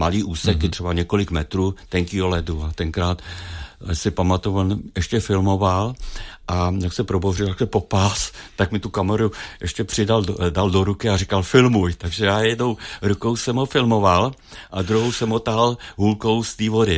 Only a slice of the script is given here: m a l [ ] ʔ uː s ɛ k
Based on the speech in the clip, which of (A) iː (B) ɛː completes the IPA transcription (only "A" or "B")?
A